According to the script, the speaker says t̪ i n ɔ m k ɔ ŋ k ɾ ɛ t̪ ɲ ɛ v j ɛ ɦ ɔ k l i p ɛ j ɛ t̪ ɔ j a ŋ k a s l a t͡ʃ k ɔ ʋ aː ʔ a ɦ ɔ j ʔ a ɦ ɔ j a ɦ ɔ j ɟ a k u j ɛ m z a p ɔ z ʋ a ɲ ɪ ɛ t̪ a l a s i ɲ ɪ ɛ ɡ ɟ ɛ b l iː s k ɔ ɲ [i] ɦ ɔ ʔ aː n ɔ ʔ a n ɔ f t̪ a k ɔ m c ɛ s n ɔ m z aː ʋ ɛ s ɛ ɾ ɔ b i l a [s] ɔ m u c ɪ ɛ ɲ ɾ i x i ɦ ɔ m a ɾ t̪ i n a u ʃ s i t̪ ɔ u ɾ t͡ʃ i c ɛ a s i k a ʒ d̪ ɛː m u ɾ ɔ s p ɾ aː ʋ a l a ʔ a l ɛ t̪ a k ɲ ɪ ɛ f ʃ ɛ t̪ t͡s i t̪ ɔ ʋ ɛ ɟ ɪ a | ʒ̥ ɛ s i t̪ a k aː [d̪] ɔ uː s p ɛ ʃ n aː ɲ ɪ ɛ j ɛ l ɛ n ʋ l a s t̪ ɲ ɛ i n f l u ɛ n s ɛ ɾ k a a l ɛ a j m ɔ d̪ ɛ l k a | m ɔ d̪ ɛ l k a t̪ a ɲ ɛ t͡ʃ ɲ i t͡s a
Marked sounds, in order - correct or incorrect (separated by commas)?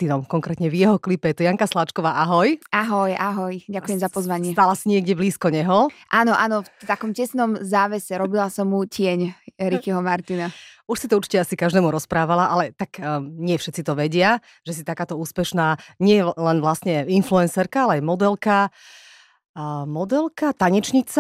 incorrect, correct, incorrect